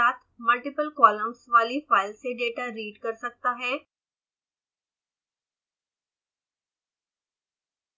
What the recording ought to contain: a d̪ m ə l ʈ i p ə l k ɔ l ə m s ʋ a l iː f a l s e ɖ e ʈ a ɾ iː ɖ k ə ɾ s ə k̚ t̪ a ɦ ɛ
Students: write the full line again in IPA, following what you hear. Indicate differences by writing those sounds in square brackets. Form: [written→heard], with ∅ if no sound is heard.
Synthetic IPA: a [d̪→t̪] m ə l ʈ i p ə l k ɔ l ə m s ʋ a l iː f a l s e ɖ e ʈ a ɾ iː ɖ k ə ɾ s ə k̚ t̪ a ɦ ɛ